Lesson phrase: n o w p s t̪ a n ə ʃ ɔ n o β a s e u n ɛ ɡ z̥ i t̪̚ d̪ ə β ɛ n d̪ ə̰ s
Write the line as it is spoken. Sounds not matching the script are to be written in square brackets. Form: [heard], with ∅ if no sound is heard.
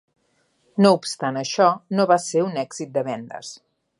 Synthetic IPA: n o [u] p s t̪ a n ə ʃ ɔ n o β a s e u n ɛ ɡ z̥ i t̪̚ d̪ ə β ɛ n d̪ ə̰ s